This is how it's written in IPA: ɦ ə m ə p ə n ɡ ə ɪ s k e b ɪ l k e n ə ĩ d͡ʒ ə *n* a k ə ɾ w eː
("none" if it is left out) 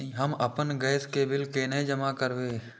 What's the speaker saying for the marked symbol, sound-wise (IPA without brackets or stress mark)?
m